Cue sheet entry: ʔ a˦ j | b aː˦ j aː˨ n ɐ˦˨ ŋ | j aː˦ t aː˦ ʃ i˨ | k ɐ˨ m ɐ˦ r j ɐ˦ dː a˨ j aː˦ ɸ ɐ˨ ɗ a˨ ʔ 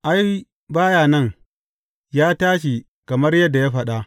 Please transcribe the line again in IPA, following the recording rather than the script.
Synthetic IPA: ʔ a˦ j | b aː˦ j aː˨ n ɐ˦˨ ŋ | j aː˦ t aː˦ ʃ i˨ | k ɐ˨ m ɐ˦ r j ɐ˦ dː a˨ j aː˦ ɸ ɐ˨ ɗ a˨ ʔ